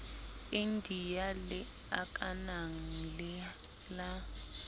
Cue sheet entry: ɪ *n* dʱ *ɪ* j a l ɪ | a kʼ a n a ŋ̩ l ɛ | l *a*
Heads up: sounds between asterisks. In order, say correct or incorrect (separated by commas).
correct, incorrect, correct